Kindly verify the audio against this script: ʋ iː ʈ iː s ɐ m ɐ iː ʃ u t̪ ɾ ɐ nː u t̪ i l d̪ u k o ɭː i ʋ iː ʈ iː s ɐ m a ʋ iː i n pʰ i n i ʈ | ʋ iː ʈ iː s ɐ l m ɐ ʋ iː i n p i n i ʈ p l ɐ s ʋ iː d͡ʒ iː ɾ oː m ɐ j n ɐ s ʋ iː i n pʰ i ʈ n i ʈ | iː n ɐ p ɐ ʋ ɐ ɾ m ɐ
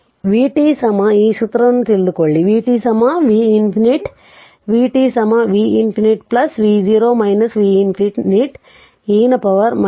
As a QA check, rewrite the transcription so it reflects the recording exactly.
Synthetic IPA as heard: ʋ iː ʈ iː s ɐ m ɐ iː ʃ u t̪ ɾ ɐ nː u t̪ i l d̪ u k o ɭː i ʋ iː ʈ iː s ɐ m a ʋ iː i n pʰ i n i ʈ | ʋ iː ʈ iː s ɐ m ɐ ʋ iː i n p i n i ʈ p l ɐ s ʋ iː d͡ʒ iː ɾ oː m ɐ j n ɐ s ʋ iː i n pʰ i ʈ n i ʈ | iː n ɐ p ɐ ʋ ɐ ɾ m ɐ